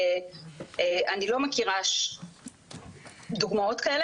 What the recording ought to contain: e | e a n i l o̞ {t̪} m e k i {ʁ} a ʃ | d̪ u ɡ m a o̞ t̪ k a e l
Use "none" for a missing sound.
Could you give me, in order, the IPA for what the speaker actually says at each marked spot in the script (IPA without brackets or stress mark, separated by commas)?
none, ʁ